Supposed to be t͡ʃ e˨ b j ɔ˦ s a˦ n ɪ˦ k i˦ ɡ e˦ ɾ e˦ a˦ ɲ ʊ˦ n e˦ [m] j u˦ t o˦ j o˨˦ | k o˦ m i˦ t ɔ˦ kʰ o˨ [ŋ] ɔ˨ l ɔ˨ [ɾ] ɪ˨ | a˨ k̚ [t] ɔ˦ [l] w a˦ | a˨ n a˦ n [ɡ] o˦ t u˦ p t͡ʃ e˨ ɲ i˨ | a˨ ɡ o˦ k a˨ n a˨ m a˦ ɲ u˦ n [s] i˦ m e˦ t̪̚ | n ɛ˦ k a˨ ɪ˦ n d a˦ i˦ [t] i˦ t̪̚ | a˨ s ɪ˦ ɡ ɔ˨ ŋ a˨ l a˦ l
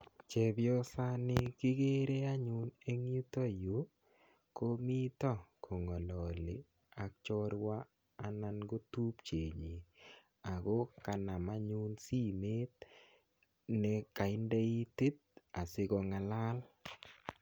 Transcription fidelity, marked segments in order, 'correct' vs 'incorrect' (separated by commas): incorrect, correct, incorrect, incorrect, incorrect, correct, correct, correct